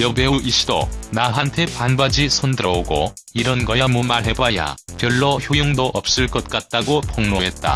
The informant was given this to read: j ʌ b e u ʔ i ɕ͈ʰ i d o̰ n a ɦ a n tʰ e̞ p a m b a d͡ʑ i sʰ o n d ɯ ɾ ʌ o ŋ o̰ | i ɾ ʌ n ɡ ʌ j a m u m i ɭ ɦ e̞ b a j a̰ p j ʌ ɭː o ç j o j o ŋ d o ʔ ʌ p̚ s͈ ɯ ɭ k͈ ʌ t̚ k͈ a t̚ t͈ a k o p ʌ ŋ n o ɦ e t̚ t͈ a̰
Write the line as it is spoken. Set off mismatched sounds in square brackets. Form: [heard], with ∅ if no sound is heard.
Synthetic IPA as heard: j ʌ b e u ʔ i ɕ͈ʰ i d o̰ n a ɦ a n tʰ e̞ p a [n] b a d͡ʑ i sʰ o n d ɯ ɾ ʌ o [ɡ] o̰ | i ɾ ʌ n ɡ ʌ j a m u m [a] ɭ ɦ e̞ b a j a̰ p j ʌ ɭː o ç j o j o ŋ d o ʔ ʌ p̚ s͈ ɯ ɭ k͈ ʌ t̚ k͈ a t̚ t͈ a [ɡ] o p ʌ ŋ n o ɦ e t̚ t͈ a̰